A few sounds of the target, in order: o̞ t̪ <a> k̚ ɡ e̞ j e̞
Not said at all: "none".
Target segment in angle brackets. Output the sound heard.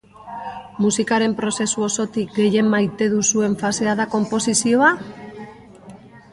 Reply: i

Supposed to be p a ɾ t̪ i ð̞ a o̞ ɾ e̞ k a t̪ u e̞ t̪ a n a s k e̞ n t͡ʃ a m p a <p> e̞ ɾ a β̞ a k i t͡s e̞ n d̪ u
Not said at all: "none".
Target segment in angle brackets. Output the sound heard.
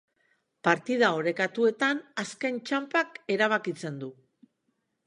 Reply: k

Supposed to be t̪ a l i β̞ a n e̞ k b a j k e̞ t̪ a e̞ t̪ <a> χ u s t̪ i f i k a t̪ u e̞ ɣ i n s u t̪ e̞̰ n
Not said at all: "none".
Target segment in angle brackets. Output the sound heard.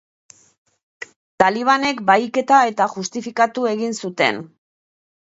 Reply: a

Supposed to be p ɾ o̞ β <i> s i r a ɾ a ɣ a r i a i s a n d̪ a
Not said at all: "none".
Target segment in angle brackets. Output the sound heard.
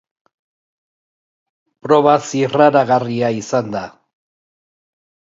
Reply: a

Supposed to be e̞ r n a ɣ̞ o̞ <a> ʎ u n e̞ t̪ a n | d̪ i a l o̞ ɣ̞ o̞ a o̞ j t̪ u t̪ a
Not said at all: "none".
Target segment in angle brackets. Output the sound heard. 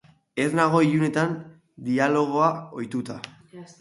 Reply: i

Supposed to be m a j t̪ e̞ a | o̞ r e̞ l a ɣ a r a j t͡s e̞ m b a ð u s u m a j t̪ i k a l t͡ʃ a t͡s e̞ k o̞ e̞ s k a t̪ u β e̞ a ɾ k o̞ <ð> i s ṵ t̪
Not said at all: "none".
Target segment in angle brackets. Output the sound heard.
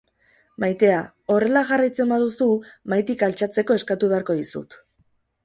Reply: ð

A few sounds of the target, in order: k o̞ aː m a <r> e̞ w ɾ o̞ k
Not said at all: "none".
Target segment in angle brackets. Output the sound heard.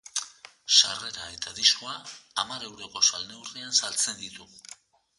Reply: ɾ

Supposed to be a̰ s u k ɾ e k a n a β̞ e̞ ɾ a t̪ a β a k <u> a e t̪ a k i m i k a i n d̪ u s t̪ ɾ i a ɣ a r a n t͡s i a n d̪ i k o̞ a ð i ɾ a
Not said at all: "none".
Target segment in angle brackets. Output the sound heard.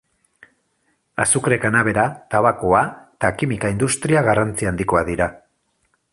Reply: o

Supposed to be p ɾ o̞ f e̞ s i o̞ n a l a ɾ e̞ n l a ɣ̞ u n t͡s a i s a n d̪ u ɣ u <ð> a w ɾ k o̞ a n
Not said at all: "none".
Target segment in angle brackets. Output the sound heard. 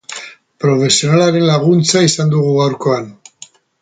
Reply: ɣ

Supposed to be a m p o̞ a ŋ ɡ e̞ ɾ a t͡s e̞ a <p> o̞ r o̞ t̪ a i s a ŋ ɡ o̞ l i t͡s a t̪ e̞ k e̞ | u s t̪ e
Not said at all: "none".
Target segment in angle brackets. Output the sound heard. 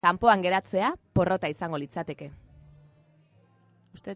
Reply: p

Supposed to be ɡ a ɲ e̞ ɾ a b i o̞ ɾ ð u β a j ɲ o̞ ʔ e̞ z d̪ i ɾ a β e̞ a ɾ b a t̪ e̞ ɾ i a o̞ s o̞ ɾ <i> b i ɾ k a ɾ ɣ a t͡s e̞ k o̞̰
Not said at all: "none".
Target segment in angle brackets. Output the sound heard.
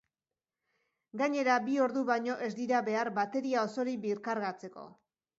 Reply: i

